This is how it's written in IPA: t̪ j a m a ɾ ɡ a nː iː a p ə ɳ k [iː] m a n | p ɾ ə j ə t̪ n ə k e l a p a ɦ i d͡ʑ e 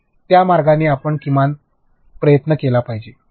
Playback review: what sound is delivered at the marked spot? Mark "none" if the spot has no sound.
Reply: i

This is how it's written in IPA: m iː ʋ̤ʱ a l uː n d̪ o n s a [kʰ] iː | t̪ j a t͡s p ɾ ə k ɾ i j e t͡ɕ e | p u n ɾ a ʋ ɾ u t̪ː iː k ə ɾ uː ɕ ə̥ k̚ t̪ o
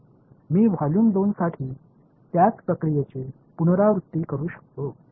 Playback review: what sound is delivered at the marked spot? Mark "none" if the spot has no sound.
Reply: ʈʰ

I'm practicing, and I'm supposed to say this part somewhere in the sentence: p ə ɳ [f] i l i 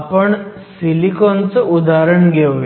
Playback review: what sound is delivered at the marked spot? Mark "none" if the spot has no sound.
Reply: s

